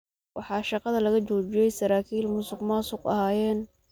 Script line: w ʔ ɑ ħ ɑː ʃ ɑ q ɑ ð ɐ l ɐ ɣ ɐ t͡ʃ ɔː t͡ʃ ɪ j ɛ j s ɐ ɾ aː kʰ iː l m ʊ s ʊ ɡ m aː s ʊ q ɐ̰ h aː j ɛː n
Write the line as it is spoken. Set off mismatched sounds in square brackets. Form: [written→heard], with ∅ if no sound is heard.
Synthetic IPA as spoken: w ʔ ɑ ħ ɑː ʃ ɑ q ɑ ð ɐ l ɐ ɣ ɐ t͡ʃ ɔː t͡ʃ ɪ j ɛ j s ɐ ɾ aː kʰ iː l m ʊ s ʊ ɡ m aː s ʊ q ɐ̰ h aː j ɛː n